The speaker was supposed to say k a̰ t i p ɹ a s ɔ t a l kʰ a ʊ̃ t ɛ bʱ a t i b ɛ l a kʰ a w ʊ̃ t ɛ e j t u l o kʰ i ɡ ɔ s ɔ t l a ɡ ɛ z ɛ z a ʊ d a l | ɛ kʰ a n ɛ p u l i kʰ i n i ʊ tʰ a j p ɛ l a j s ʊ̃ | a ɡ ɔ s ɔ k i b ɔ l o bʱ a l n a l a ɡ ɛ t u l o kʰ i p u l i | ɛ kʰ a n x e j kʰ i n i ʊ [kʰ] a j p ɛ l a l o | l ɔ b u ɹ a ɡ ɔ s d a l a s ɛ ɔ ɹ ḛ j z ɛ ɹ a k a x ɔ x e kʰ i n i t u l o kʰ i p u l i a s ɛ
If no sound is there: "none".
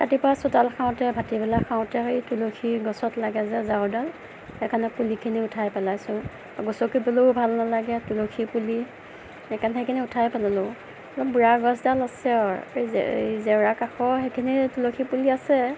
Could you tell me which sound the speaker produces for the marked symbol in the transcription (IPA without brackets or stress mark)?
tʰ